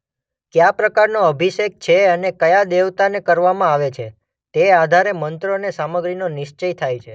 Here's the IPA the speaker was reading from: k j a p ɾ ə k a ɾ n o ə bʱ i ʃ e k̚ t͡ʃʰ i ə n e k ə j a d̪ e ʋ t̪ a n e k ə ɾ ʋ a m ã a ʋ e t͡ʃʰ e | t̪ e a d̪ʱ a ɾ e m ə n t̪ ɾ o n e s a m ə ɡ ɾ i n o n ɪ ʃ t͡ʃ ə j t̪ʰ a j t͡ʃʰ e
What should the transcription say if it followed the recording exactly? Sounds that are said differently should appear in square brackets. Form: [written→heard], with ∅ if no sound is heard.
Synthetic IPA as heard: k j a p ɾ ə k a ɾ n o ə bʱ i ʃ e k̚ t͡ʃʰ [i→e] ə n e k ə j a d̪ e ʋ t̪ a n e k ə ɾ ʋ a m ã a ʋ e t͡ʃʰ e | t̪ e a d̪ʱ a ɾ e m ə n t̪ ɾ o n e s a m ə ɡ ɾ i n o n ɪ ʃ t͡ʃ ə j t̪ʰ a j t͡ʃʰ e

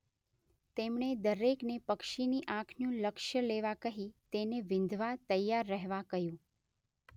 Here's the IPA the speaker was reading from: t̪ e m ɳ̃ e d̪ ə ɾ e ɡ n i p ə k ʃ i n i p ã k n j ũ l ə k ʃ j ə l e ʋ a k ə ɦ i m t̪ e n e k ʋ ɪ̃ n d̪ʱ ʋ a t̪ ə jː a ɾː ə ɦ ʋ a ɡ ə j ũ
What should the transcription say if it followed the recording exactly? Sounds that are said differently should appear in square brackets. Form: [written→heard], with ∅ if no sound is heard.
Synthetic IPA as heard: t̪ e m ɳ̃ e d̪ ə ɾ e [ɡ→k] n [i→e] p ə k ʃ i n i [p→ʔ] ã [k→kʰ] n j ũ l ə k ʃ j ə l e ʋ a k ə ɦ i [m→∅] t̪ e n e [k→∅] ʋ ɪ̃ n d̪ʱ ʋ a t̪ ə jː a ɾː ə ɦ ʋ a [ɡ→k] ə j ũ

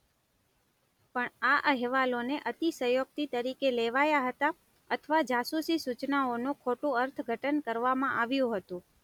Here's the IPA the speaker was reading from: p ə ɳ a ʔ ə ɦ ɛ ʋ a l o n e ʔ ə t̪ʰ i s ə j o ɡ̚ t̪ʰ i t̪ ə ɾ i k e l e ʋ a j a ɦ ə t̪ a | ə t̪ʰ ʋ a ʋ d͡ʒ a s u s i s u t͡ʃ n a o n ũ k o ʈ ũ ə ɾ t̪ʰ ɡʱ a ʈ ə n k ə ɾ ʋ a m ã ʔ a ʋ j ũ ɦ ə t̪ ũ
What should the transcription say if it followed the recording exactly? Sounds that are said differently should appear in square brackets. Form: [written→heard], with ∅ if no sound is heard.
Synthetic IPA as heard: p ə ɳ a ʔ ə ɦ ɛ ʋ a l o n e ʔ ə [t̪ʰ→t̪] i s ə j o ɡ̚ [t̪ʰ→t̪] i t̪ ə ɾ i k e l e ʋ a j a ɦ ə t̪ a | ə t̪ʰ ʋ a [ʋ→∅] d͡ʒ a s u s i s u t͡ʃ n a o n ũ [k→kʰ] o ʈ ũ ə ɾ t̪ʰ ɡʱ [a→ə] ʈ ə n k ə ɾ ʋ a m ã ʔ a ʋ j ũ ɦ ə t̪ ũ

